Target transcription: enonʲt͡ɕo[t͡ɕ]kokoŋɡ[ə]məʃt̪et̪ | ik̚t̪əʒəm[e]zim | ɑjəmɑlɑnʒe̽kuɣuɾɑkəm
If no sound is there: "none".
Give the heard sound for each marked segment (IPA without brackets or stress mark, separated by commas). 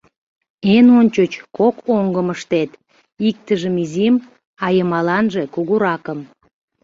t͡ɕ, ə, i